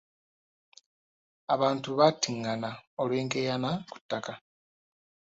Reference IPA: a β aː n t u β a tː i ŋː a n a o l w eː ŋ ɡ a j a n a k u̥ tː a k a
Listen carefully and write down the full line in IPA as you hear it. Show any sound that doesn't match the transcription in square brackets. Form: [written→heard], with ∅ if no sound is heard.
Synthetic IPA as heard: a β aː n t u β a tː i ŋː a n a o l w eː ŋ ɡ [a→e] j a n a k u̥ tː a k a